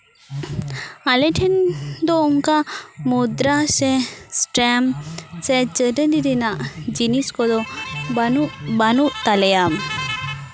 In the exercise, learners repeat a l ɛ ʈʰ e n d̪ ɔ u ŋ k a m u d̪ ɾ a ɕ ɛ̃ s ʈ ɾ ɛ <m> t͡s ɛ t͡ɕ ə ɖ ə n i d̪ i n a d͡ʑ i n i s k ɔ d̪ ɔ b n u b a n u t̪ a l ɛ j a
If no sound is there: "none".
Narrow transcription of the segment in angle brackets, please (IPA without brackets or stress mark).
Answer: m